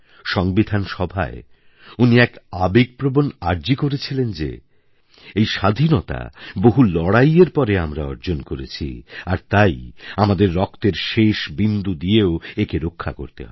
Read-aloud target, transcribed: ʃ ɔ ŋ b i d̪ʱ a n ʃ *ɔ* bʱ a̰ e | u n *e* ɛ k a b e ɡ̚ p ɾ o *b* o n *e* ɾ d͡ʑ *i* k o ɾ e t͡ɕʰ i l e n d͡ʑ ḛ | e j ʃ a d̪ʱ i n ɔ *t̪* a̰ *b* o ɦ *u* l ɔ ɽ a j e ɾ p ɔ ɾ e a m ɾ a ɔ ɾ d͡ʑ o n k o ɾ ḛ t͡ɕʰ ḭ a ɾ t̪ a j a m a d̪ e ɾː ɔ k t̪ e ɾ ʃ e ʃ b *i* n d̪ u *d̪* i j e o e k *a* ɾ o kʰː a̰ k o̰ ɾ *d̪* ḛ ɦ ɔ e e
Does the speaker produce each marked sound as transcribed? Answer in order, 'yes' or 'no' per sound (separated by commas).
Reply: yes, no, yes, no, yes, yes, yes, yes, yes, yes, no, no